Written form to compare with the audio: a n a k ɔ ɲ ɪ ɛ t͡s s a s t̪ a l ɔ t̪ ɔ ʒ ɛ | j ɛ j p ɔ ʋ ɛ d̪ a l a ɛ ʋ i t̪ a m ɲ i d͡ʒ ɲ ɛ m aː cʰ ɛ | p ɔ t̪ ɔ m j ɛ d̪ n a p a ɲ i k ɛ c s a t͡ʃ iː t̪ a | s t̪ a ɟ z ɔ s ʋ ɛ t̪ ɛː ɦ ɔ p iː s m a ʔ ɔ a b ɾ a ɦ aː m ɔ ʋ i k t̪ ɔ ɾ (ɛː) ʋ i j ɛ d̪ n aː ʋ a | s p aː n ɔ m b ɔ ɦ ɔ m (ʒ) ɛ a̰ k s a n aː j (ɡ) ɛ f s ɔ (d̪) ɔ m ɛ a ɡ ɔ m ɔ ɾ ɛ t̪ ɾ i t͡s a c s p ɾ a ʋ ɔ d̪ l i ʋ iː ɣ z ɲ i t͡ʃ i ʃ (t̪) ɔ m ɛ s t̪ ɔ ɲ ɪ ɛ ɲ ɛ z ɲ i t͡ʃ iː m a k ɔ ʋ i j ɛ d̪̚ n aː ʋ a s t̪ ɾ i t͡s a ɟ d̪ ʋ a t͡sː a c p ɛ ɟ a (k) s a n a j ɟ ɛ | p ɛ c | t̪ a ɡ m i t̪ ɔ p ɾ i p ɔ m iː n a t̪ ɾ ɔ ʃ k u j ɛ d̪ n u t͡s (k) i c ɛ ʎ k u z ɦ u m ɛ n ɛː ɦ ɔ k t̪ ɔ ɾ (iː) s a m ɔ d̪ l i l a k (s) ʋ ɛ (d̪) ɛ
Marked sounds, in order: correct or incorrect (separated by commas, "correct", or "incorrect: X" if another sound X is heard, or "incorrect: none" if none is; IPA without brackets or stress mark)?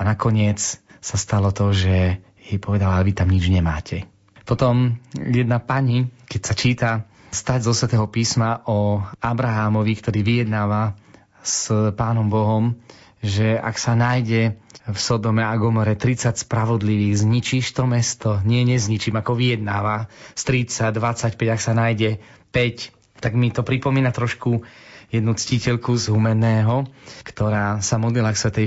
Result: incorrect: iː, correct, incorrect: ɟ, correct, correct, correct, incorrect: c, incorrect: aː, correct, incorrect: t̪